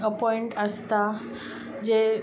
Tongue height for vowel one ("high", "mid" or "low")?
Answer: mid